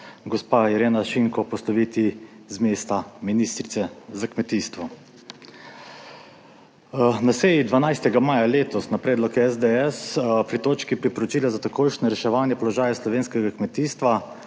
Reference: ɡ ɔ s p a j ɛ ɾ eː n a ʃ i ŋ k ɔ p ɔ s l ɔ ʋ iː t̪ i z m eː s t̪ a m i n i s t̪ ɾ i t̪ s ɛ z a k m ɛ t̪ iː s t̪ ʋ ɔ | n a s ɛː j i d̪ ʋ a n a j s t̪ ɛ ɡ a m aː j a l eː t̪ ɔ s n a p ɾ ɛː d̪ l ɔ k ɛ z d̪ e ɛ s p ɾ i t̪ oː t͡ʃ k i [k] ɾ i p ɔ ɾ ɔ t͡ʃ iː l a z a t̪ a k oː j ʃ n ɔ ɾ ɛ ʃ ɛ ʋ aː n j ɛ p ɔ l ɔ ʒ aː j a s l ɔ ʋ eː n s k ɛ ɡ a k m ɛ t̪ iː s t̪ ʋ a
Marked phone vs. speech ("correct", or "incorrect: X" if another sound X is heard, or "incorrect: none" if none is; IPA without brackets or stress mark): incorrect: p